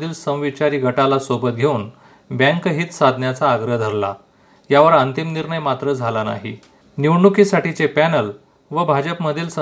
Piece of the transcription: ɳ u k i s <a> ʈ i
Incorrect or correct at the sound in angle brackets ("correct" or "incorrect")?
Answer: correct